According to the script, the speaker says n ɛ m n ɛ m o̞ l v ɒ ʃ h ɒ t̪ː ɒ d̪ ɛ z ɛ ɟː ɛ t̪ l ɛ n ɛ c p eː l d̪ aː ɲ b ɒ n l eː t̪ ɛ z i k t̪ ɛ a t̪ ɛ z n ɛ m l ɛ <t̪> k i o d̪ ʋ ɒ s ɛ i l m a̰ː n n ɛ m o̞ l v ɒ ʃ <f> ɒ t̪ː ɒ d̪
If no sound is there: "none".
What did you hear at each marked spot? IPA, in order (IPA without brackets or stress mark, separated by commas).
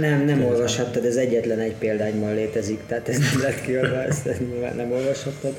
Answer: t̪, h